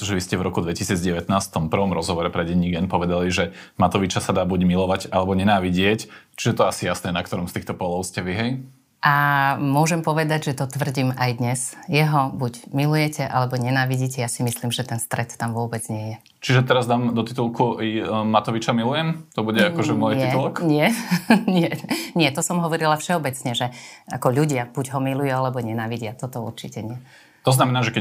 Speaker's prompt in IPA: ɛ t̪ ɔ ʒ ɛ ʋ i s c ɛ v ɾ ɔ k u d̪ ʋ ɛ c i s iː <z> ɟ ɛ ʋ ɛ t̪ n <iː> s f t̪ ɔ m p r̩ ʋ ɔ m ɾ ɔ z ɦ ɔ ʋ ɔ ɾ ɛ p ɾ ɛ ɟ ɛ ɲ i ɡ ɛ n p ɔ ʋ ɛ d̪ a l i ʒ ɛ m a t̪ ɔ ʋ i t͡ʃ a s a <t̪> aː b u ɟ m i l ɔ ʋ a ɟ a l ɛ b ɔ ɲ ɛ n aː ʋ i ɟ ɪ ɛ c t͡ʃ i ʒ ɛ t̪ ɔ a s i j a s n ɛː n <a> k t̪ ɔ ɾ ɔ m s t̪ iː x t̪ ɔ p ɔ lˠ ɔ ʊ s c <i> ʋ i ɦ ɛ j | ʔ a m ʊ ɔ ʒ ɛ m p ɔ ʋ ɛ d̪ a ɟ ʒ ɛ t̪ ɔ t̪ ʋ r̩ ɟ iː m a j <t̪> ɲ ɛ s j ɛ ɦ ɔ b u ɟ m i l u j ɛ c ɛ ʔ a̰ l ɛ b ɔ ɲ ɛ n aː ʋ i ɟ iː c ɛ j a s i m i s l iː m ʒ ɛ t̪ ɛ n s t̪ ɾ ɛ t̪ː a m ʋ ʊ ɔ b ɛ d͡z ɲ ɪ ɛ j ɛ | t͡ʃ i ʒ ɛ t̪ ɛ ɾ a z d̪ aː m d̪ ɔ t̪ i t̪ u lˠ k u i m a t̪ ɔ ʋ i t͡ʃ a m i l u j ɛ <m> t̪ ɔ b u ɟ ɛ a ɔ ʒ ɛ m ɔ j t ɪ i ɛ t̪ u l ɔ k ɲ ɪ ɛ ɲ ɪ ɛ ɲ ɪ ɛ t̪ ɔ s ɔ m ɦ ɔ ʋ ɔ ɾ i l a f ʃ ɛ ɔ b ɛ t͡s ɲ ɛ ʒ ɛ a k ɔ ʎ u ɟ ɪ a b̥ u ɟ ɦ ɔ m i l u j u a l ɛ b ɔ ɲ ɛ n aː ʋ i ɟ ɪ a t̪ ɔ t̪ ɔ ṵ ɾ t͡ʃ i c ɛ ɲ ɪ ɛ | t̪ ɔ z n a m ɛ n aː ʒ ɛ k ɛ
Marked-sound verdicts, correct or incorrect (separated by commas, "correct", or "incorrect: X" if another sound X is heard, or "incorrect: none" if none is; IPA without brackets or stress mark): incorrect: d͡z, incorrect: aː, incorrect: d̪, correct, incorrect: ɛ, incorrect: d̪, correct